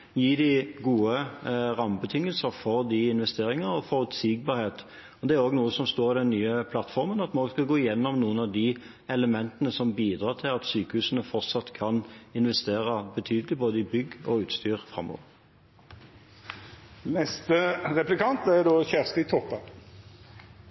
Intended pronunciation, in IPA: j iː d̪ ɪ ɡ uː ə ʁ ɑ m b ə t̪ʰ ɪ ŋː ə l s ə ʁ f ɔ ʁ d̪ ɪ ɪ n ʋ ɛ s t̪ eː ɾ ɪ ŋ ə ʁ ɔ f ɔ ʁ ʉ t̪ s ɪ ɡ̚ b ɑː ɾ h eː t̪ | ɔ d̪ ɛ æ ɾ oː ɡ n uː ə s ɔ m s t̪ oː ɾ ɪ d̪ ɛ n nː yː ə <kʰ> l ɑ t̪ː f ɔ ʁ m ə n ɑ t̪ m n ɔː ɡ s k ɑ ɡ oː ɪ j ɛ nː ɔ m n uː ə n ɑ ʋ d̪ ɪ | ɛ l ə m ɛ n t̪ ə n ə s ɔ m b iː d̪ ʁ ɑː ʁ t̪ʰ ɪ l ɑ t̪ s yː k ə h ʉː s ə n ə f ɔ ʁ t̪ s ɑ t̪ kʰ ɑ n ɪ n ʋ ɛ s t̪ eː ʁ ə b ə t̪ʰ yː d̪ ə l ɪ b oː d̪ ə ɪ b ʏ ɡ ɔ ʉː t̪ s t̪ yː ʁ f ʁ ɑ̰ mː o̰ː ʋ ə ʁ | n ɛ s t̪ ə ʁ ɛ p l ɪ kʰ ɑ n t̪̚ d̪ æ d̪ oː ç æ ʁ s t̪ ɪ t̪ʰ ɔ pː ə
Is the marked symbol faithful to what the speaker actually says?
no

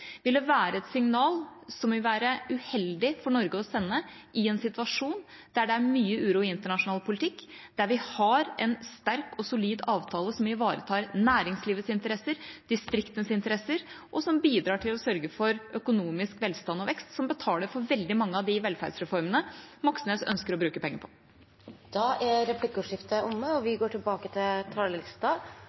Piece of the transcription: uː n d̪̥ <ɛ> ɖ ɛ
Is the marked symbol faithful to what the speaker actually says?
no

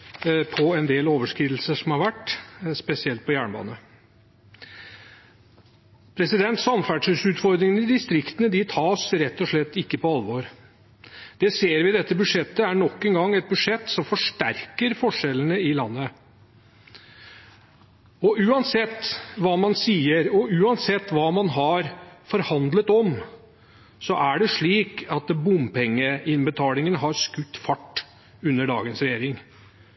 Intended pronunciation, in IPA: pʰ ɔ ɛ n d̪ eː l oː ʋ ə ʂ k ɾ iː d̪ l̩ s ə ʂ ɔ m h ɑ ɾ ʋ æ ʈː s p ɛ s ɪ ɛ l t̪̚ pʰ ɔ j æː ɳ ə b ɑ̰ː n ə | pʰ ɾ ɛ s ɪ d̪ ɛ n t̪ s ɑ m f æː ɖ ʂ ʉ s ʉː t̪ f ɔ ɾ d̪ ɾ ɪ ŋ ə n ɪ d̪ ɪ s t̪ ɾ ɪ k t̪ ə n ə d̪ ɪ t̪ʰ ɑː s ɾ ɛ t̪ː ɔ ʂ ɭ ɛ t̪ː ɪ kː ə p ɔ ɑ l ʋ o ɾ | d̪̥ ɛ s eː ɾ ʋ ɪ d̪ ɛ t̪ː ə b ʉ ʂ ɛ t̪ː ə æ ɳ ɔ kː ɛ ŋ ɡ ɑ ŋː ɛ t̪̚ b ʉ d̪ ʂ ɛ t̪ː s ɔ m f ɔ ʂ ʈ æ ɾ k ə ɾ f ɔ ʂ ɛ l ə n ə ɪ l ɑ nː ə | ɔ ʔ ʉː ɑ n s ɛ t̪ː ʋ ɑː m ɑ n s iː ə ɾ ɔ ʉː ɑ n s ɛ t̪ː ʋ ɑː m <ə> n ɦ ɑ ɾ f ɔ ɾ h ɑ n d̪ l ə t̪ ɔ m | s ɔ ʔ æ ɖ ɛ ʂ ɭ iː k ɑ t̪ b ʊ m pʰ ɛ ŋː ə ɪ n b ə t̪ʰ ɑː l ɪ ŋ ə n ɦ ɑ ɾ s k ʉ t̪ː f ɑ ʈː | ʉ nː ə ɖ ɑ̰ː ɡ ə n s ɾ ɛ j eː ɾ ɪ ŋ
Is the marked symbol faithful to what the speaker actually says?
no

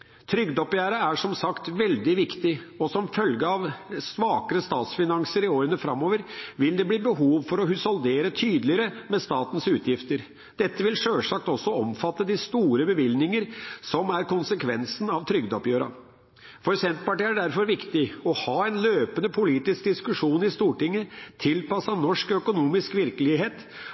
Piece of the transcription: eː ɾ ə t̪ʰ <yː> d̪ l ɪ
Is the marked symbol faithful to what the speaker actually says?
yes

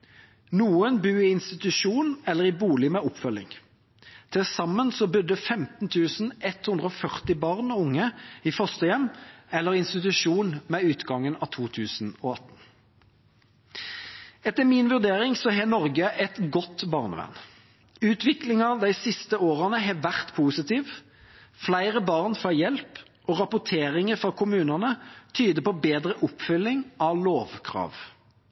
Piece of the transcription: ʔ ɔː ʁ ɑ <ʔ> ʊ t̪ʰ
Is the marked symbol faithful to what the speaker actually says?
no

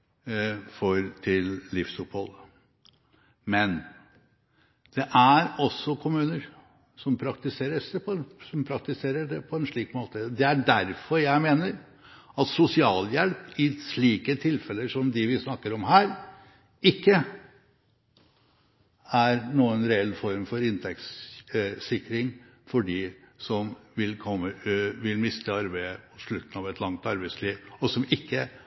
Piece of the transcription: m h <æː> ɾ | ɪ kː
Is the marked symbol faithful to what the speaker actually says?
yes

